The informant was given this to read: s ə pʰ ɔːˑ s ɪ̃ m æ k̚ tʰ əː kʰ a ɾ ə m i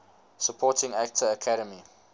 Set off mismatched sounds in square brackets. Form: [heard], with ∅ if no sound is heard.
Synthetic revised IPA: s ə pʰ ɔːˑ [t] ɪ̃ [ŋ] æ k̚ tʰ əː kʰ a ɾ ə m i